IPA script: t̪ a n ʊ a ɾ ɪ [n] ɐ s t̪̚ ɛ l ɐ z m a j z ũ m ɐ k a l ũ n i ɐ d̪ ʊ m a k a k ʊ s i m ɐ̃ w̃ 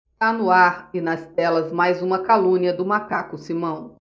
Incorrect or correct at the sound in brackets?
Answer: correct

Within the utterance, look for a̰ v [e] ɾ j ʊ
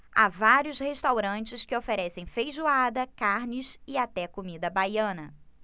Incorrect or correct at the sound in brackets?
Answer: incorrect: a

